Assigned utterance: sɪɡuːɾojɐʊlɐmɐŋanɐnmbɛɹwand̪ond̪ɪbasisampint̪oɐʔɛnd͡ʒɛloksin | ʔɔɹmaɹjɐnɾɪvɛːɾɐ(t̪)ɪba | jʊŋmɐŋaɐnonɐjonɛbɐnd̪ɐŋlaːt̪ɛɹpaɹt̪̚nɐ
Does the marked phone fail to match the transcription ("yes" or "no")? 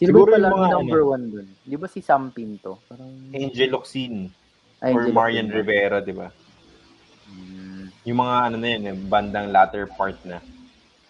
yes